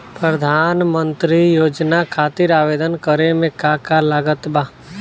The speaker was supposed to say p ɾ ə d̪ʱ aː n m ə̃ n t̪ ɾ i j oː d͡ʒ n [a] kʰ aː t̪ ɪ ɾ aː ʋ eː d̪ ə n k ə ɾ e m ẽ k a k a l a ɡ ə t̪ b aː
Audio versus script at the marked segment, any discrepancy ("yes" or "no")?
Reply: no